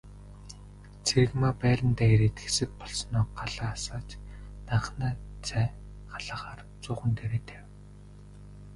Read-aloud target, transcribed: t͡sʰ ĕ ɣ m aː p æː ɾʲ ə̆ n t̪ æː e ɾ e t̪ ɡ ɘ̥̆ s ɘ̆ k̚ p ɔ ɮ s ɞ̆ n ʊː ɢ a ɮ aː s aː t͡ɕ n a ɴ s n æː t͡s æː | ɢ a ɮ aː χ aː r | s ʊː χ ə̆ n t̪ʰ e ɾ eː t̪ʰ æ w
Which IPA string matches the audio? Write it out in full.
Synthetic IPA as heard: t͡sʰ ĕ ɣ m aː p æː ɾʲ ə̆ n t̪ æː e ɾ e t̪ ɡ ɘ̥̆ s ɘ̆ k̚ p ɔ ɮ s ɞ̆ n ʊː ɢ a ɮ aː s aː t͡ɕ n a ɴ χ n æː t͡s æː | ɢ a ɮ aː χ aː r | t͡s ʊː χ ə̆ n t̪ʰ e ɾ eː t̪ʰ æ w